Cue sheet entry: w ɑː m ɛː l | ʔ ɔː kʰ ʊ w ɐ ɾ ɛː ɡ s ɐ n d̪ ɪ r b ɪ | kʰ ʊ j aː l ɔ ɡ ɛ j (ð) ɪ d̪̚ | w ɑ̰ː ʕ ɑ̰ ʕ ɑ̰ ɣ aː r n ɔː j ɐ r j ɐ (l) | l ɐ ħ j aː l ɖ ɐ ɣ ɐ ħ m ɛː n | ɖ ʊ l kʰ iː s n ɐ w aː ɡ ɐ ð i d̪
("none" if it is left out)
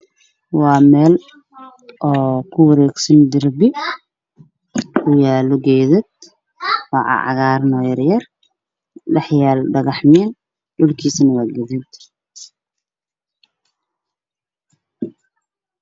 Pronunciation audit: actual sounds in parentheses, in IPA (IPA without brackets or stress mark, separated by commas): ð, r